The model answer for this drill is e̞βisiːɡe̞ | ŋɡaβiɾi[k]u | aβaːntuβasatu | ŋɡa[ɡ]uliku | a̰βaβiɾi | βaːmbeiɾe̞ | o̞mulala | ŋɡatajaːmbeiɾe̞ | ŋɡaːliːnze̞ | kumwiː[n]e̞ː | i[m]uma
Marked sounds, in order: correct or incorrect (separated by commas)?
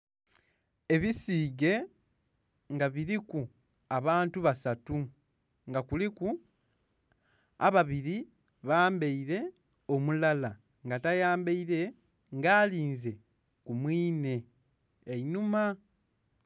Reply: correct, incorrect, correct, incorrect